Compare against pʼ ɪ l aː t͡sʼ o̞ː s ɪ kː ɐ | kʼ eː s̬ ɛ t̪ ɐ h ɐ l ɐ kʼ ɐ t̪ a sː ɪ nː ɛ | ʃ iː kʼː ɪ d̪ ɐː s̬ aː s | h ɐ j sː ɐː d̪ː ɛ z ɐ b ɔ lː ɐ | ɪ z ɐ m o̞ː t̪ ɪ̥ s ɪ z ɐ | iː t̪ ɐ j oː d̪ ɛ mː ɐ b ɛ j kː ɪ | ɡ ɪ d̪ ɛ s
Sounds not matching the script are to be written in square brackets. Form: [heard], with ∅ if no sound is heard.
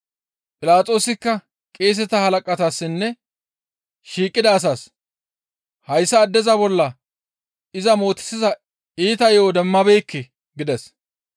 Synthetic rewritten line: pʼ ɪ l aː t͡sʼ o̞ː s ɪ kː ɐ | kʼ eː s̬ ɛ t̪ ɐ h ɐ l ɐ kʼ ɐ t̪ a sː ɪ nː ɛ | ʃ iː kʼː ɪ d̪ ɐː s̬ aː s | h ɐ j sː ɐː d̪ː ɛ z ɐ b ɔ lː ɐ | ɪ z ɐ m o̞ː t̪ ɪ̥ s ɪ z ɐ | iː t̪ ɐ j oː d̪ ɛ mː ɐ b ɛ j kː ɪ | ɡ ɪ d̪ ɛ s